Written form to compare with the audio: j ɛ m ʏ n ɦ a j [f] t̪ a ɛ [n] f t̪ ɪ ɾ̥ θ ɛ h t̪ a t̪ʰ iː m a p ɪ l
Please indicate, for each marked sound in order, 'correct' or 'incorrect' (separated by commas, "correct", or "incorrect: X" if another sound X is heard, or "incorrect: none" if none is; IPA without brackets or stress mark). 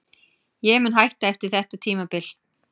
incorrect: h, incorrect: none